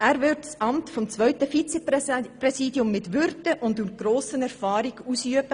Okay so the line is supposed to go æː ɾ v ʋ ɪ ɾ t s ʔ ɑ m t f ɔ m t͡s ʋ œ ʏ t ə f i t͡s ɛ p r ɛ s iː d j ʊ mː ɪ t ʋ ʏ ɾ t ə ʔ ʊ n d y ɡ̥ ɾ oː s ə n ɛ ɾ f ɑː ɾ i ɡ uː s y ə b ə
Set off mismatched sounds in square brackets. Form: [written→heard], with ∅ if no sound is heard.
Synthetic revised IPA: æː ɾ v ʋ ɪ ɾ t s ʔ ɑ m t f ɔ m t͡s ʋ œ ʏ t ə f i t͡s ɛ p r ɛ s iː d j ʊ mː ɪ t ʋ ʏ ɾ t ə ʔ ʊ n d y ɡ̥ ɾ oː s ə n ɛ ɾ f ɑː ɾ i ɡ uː s y ə b ə